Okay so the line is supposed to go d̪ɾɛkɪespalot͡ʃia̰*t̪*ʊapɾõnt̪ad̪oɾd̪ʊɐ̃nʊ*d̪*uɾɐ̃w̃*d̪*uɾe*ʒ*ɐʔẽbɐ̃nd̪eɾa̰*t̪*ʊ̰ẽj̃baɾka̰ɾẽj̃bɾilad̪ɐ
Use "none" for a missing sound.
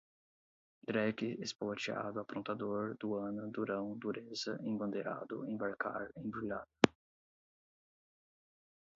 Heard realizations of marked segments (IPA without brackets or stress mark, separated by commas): d̪, d̪, d̪, z, d̪